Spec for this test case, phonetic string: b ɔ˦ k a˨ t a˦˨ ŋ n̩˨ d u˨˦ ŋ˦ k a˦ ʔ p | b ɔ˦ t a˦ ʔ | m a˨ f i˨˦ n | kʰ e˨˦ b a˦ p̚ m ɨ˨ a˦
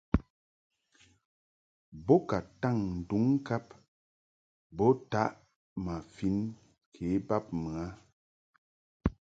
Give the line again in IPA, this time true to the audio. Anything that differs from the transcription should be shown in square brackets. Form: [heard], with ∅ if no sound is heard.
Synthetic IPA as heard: b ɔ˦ k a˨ t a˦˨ ŋ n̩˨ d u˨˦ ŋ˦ k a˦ [∅] p | b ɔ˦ t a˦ ʔ | m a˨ f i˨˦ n | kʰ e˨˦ b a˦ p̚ m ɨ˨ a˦